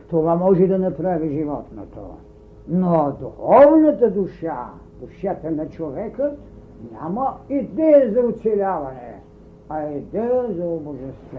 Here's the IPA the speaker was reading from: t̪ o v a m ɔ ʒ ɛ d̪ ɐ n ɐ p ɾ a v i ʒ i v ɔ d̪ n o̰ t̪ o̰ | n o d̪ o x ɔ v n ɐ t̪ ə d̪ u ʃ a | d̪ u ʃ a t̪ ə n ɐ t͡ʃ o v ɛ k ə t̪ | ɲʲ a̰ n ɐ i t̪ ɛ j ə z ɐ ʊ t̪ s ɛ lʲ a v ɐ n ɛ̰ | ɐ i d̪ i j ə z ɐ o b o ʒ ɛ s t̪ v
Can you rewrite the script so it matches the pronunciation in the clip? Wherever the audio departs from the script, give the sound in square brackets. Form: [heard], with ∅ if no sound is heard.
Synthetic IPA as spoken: t̪ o v a m ɔ ʒ ɛ d̪ ɐ n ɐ p ɾ a v i ʒ i v ɔ [t̪] n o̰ t̪ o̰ | n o d̪ [u] x ɔ v n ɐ t̪ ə d̪ u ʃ a | d̪ u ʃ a t̪ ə n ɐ t͡ʃ o v ɛ k ə t̪ | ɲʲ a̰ [m] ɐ i [d̪] ɛ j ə z ɐ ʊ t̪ s ɛ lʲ a v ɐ n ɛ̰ | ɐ i d̪ [ɛ] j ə z ɐ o b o ʒ ɛ s t̪ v